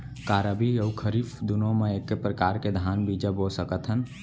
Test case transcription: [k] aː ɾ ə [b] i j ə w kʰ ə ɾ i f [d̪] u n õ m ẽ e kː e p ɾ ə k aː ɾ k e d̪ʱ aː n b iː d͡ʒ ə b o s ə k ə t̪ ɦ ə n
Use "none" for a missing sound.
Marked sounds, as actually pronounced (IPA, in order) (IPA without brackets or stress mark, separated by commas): k, b, d̪